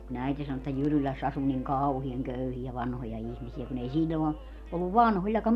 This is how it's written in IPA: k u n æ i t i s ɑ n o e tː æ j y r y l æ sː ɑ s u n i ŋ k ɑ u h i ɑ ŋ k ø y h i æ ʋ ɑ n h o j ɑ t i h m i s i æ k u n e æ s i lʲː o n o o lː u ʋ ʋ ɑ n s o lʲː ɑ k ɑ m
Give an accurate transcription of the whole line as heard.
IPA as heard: k u n æ i t i s ɑ n o e tː æ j y r y l æ sː ɑ s u n i ŋ k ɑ u h i ɑ ŋ k ø y h i æ ʋ ɑ n h o j ɑ i h m i s i æ k u n e i s i lʲː o n o o lː u ʋ ʋ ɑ n h o lʲː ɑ k ɑ m